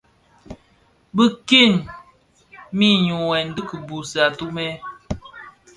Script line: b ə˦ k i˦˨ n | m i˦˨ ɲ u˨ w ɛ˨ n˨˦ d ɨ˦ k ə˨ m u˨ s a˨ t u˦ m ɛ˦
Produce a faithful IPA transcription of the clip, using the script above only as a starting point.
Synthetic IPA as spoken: b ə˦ k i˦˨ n | m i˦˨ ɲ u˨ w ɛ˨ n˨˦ d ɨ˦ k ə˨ b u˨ s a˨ t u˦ m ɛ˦

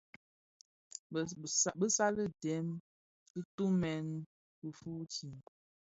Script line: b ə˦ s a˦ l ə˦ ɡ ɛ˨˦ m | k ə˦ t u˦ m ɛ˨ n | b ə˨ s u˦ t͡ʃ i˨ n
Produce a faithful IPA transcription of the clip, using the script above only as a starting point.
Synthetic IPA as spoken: b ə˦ s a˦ l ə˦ d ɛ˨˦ m | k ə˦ t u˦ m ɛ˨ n | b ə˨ f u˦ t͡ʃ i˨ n

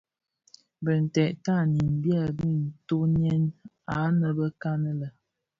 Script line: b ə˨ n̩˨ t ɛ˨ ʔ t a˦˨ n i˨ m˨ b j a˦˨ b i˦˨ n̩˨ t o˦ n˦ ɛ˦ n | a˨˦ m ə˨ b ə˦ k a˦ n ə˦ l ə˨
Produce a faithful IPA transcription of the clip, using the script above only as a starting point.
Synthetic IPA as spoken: b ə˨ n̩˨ t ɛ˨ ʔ t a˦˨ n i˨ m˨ b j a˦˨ b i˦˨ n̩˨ t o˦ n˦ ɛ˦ n | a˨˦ n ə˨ b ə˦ k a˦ n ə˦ l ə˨

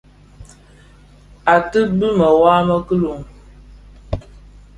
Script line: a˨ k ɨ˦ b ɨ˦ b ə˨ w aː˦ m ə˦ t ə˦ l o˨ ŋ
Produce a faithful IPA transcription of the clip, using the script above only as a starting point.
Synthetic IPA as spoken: a˨ t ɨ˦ b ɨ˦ m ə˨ w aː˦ m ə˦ k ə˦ l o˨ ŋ

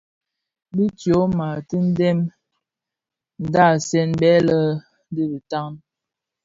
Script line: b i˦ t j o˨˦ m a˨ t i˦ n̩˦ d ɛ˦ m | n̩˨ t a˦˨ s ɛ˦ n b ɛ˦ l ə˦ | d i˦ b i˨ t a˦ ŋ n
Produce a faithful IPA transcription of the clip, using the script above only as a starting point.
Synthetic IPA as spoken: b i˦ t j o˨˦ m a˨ t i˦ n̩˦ d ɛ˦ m | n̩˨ d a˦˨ s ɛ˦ n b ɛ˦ l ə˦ | d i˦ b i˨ t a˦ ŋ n

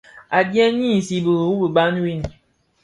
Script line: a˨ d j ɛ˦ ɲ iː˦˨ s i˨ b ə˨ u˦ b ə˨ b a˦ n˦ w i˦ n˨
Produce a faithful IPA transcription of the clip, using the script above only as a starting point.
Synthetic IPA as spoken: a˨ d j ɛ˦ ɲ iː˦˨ s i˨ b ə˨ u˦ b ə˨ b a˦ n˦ w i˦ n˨

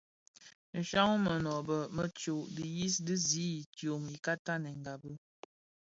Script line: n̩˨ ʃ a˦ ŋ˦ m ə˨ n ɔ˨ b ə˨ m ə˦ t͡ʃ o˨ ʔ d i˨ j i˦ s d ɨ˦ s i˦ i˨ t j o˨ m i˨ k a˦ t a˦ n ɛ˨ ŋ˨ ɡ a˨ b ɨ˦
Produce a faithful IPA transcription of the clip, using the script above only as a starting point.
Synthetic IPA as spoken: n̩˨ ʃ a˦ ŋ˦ m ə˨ n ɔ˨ b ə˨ m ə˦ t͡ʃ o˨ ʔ d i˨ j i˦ s d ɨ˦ z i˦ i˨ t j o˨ m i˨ k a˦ t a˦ n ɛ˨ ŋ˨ ɡ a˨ b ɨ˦

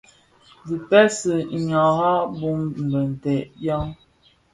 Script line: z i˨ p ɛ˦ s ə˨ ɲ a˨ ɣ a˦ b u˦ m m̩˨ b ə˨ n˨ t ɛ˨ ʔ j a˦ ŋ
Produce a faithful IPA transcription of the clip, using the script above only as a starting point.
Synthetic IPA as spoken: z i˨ p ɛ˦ s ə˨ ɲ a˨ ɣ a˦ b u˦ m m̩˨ b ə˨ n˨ t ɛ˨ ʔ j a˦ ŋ

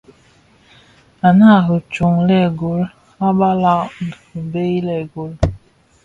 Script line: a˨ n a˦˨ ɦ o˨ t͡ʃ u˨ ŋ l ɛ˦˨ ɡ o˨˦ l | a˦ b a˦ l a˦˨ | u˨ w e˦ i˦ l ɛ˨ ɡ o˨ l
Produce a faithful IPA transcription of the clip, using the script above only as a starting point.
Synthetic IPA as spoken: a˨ n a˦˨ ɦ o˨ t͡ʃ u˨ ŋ l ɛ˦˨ ɡ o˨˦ l | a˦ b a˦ l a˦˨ | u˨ b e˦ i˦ l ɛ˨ ɡ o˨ l

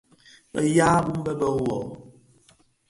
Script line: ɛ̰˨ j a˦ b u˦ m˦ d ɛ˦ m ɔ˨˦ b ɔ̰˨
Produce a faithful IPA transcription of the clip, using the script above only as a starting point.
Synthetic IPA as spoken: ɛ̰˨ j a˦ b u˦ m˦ b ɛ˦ b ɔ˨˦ w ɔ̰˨

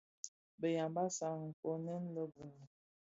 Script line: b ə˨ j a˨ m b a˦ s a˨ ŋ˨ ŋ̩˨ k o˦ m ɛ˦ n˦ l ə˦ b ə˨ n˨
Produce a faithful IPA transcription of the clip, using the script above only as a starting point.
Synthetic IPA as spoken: b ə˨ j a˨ m b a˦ s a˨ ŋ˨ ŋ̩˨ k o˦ n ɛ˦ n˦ l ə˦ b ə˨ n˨

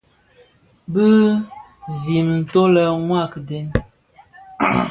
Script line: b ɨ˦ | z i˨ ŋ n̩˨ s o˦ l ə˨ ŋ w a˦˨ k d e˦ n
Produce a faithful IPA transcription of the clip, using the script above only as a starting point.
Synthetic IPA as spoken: b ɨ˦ | z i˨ m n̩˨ t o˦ l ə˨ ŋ w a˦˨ k d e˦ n

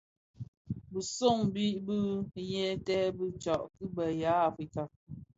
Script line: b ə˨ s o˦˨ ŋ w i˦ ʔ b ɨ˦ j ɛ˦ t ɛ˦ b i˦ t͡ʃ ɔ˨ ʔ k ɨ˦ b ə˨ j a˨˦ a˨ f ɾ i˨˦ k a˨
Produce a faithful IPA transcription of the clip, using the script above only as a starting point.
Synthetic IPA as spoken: b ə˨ s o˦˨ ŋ b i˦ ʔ b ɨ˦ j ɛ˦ t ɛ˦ b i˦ t͡ʃ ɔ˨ ʔ k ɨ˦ b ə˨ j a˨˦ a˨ f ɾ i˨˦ k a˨

